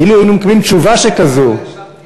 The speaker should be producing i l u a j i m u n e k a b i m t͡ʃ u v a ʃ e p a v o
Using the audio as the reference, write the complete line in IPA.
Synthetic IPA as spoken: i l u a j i n u m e k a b i m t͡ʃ u v a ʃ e k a z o